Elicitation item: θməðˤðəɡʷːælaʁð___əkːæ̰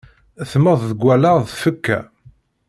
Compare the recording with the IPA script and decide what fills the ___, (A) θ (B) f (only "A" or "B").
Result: B